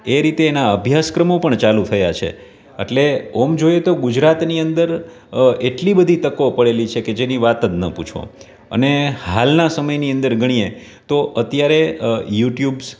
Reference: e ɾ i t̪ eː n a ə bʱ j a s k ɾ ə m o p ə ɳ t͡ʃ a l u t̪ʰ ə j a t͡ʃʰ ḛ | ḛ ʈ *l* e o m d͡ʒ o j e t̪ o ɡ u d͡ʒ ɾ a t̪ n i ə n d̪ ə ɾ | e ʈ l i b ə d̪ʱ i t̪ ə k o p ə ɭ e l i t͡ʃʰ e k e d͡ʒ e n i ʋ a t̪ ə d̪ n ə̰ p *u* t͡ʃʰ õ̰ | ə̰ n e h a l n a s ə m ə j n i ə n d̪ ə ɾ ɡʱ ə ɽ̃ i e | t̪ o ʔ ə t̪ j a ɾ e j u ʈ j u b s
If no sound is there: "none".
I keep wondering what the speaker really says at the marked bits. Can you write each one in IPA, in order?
l, u

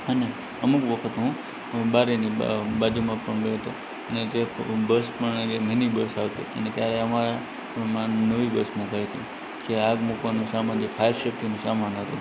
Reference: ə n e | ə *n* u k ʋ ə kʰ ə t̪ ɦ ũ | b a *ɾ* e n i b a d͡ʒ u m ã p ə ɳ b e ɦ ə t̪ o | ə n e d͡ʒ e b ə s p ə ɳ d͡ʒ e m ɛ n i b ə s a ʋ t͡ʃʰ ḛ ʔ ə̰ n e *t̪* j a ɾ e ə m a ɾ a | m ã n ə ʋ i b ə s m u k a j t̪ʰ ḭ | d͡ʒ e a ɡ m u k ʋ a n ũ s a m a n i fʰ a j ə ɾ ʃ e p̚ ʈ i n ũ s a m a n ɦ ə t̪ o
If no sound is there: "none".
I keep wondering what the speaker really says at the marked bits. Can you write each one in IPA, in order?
m, ɾ, t̪

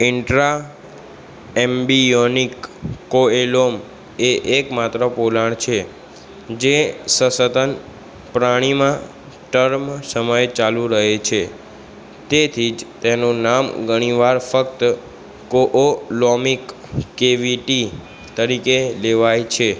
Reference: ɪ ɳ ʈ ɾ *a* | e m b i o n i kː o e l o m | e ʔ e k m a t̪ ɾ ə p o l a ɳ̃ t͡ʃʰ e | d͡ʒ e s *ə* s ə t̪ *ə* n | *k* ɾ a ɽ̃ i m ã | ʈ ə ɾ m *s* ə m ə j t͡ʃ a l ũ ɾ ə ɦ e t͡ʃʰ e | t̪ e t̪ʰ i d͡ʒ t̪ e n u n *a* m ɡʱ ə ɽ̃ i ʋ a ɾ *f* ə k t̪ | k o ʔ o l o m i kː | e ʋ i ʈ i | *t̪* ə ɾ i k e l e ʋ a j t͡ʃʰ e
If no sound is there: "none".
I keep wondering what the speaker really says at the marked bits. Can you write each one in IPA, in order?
a, ə, ə, p, s, a, f, t̪

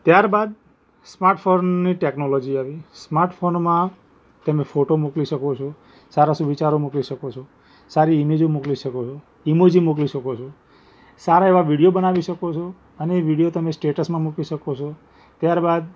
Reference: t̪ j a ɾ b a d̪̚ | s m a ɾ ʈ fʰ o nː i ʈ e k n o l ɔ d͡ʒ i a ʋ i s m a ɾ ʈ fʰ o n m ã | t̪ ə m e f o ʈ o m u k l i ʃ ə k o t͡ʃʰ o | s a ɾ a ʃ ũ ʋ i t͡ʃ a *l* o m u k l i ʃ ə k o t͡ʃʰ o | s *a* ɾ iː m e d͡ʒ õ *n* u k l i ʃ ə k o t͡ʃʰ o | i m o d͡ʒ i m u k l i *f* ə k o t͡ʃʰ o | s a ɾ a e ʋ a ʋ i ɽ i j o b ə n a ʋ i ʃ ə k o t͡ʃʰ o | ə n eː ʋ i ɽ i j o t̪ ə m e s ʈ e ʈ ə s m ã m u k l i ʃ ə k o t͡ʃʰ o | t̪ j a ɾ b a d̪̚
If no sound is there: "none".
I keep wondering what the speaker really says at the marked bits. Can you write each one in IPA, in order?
ɾ, a, m, ʃ

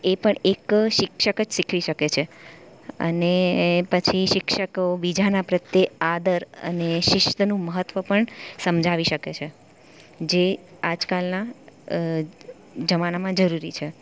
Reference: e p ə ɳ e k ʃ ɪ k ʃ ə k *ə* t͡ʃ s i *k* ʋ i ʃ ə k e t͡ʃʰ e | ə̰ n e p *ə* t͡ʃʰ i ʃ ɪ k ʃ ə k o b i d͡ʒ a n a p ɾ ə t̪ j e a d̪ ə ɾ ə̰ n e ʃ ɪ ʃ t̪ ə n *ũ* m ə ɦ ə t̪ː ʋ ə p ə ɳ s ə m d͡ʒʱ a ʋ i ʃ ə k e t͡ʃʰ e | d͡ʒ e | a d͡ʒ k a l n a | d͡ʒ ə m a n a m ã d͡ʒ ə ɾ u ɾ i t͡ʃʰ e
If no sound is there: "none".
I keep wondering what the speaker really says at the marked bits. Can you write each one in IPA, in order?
ə, kʰ, ə, ũ

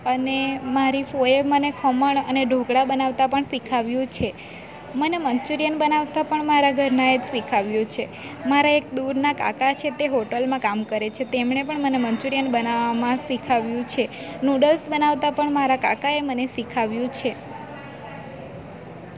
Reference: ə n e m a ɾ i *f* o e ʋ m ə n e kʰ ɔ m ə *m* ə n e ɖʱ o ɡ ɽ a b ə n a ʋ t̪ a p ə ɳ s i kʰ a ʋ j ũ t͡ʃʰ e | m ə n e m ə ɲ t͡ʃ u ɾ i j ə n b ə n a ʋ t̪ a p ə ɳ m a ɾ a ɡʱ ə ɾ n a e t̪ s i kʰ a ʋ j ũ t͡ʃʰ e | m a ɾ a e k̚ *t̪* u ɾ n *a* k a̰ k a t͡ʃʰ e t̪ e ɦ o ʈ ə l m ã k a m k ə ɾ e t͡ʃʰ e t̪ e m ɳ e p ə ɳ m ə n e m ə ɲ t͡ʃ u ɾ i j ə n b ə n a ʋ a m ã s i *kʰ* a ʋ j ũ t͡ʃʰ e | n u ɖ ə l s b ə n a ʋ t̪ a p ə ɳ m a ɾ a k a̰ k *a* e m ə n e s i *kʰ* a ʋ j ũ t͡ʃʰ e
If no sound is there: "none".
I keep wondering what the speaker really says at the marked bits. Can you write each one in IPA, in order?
f, ɳ, d̪, a, kʰ, a, kʰ

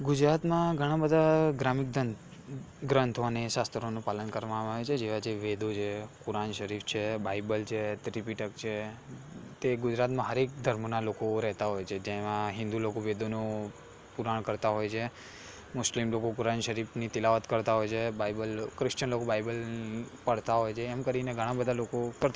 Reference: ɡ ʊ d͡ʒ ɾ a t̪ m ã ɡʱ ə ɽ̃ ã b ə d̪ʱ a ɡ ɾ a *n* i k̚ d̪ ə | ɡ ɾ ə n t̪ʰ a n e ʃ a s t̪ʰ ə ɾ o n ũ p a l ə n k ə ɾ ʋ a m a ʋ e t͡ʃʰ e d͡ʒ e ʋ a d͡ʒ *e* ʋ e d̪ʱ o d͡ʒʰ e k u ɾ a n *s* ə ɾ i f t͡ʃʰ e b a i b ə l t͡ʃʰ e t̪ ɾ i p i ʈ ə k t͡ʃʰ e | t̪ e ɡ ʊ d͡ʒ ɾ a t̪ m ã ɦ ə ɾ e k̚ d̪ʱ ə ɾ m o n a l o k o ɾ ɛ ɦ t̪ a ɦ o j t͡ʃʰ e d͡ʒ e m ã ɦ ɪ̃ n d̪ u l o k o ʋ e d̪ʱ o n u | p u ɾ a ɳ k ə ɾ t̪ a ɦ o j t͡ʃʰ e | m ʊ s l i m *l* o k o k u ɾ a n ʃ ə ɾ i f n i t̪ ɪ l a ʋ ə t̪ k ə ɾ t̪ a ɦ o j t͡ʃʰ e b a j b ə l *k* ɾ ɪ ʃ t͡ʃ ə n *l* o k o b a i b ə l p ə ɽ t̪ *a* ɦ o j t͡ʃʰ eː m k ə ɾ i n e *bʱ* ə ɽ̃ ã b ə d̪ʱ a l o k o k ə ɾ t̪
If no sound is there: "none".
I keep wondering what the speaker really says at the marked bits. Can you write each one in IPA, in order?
m, e, ʃ, l, k, l, a, ɡʱ

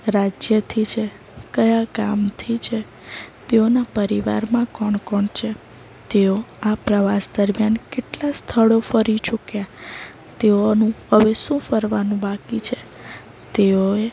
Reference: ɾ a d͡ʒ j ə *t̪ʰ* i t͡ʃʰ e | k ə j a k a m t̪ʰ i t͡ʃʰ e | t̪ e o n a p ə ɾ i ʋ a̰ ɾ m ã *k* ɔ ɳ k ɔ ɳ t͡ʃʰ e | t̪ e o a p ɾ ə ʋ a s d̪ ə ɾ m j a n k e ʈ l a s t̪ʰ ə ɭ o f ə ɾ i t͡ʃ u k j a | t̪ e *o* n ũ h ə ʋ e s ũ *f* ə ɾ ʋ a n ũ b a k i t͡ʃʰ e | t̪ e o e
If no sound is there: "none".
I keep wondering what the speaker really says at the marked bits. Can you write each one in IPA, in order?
t̪ʰ, k, o, f

